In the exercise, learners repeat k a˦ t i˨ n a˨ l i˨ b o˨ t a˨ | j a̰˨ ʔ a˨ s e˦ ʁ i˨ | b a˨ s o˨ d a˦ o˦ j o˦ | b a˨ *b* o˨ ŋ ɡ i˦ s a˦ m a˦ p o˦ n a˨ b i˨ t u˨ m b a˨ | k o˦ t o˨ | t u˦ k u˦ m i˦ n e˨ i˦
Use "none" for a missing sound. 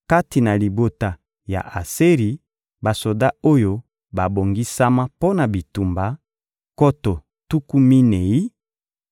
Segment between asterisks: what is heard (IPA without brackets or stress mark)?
b